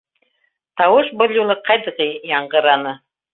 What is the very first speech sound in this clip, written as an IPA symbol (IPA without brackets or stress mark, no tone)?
t̪